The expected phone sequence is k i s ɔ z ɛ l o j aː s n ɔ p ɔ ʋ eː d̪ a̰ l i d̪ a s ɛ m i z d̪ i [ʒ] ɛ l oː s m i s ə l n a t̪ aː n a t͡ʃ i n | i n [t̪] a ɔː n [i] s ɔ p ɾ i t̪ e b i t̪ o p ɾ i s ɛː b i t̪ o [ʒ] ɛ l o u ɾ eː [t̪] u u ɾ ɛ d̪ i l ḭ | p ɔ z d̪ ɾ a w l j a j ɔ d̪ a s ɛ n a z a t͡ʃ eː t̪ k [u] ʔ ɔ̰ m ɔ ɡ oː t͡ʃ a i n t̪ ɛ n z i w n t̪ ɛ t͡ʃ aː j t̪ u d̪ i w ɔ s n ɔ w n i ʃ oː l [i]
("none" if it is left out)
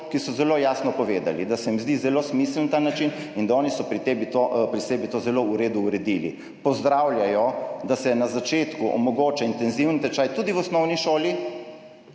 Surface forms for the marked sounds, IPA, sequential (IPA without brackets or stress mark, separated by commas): z, d̪, i, z, d̪, u, i